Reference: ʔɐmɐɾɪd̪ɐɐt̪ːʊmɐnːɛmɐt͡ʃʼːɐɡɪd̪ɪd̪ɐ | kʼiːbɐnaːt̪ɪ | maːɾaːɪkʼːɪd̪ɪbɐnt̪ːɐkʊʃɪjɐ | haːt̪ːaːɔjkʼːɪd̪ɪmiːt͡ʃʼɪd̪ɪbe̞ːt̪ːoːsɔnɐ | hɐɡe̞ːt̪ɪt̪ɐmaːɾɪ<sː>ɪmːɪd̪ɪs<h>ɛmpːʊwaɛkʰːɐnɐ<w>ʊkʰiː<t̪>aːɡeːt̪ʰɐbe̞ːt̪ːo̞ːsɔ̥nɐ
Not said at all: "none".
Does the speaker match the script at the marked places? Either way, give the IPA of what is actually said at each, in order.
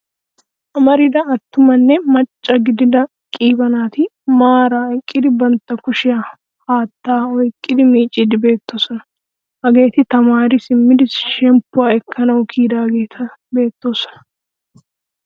s, ʃ, w, d̪

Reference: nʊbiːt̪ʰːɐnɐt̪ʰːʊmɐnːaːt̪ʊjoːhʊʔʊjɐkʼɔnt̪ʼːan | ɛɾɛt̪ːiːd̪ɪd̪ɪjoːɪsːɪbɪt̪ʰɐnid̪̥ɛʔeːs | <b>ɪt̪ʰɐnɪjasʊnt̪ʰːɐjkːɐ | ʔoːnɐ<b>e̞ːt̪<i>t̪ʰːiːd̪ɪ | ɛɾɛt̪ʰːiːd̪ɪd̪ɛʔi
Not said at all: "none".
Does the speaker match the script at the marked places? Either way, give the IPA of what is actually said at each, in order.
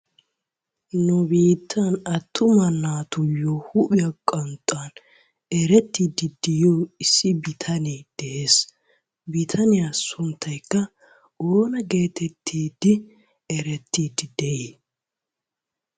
b, ɡ, ɛ

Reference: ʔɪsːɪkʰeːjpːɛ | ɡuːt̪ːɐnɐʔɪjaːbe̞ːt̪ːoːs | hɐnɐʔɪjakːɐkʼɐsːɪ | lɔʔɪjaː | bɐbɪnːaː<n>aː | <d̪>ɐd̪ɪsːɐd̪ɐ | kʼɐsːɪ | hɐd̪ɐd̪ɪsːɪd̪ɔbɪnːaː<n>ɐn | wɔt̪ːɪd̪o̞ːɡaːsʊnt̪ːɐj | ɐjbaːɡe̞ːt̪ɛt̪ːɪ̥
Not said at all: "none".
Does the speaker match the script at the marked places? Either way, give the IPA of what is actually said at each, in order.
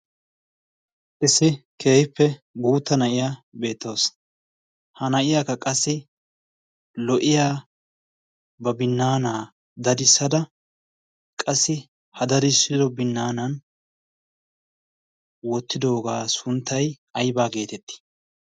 n, d̪, n

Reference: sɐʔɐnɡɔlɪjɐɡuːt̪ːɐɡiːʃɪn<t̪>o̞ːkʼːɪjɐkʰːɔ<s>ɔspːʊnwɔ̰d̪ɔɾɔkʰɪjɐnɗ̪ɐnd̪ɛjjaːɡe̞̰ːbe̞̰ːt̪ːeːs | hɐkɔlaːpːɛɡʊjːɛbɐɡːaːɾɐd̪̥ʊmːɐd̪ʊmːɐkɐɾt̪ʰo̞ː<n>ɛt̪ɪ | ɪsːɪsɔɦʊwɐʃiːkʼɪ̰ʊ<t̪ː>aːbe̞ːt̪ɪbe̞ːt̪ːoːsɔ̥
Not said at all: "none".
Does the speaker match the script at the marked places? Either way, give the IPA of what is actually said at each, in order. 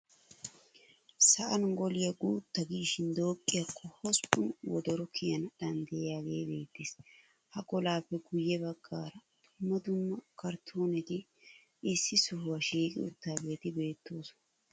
d̪, h, n, t̪ː

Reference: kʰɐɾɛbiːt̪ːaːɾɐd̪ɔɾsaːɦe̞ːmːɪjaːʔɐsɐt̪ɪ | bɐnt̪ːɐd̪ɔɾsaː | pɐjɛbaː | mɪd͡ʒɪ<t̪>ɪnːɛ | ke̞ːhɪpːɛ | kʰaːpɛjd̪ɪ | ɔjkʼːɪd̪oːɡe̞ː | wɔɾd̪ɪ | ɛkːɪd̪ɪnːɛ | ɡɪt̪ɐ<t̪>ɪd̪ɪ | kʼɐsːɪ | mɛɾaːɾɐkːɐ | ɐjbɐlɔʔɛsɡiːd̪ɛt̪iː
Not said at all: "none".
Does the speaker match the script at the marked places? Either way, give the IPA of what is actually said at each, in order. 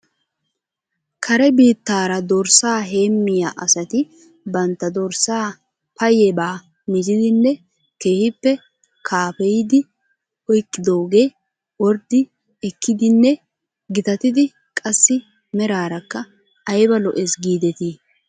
d̪, t̪

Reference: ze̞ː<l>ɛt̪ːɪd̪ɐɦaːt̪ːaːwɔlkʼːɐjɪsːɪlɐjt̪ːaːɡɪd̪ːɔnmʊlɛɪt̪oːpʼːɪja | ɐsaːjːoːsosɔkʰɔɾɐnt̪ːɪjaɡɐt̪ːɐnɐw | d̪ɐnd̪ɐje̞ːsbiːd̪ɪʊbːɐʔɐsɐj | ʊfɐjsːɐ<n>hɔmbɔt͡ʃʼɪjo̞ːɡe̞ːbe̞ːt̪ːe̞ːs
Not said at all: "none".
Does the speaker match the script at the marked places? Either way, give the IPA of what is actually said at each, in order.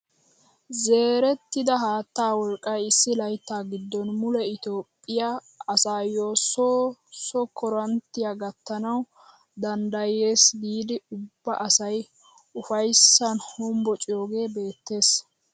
ɾ, n

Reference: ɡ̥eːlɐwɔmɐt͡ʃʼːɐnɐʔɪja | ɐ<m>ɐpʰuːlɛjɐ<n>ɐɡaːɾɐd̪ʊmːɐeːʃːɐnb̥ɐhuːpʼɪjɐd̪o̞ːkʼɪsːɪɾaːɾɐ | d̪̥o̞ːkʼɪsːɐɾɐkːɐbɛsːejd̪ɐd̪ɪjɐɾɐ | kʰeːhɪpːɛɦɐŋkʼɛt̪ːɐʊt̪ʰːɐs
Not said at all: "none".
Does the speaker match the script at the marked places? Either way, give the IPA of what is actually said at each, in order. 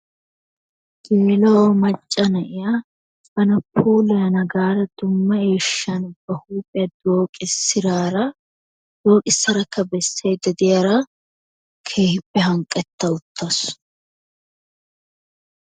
n, n

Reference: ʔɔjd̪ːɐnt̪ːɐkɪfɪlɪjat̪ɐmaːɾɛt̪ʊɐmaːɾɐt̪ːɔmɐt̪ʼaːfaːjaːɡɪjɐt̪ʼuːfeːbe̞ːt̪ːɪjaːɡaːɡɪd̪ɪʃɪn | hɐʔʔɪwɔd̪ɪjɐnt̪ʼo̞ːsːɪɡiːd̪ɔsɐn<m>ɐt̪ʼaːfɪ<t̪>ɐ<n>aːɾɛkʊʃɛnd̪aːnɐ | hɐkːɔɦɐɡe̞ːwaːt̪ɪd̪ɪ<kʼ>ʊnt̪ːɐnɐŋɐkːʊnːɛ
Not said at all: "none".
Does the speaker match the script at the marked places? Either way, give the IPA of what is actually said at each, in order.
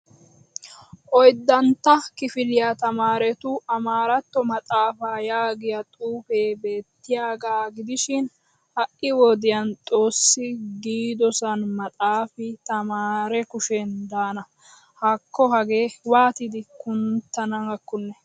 m, t̪, m, k

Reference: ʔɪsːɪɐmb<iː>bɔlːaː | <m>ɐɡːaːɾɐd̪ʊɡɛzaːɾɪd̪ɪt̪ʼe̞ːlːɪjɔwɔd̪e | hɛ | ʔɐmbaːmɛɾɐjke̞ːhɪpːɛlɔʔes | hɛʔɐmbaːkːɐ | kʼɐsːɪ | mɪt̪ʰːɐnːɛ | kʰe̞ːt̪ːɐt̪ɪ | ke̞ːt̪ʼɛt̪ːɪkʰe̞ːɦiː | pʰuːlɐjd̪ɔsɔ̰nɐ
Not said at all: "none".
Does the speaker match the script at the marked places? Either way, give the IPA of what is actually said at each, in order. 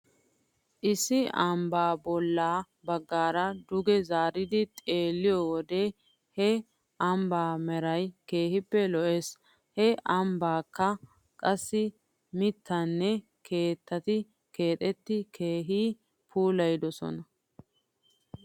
aː, b

